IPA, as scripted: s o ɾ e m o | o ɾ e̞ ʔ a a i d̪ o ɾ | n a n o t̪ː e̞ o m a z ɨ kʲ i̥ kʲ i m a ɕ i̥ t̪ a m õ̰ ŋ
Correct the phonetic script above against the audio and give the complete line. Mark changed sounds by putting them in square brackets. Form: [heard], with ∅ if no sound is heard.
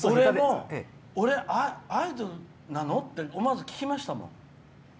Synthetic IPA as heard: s o ɾ e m o | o ɾ e̞ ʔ a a i d̪ o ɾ | n a n o t̪ː e̞ o m a z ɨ kʲ i̥ kʲ i m a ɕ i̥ t̪ a m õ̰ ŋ